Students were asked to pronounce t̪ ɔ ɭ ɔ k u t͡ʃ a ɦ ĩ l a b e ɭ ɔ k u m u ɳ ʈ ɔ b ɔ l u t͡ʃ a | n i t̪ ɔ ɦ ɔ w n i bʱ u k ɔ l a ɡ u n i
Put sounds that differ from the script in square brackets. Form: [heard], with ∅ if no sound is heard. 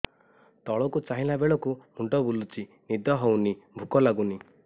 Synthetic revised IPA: t̪ ɔ ɭ ɔ k u t͡ʃ a ɦ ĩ l a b e ɭ ɔ k u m u ɳ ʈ ɔ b [u] l u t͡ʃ [i] | n i [d̪] ɔ ɦ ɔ w n i bʱ u k ɔ l a ɡ u n i